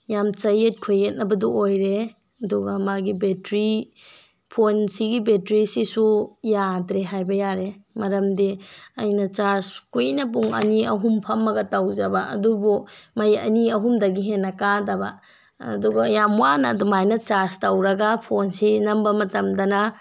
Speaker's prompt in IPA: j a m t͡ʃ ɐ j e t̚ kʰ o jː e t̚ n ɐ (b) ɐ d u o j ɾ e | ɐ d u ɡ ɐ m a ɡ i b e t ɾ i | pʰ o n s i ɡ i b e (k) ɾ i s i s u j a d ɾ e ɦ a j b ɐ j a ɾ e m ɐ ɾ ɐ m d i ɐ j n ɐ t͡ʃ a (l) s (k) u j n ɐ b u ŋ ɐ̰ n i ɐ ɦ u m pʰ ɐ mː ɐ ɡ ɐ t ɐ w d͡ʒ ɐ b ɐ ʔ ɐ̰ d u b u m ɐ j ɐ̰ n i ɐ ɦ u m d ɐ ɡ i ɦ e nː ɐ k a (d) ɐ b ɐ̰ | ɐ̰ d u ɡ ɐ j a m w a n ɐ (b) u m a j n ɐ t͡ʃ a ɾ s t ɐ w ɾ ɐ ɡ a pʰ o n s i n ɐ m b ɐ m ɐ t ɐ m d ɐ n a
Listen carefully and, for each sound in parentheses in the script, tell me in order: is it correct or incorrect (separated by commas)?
correct, incorrect, incorrect, correct, correct, incorrect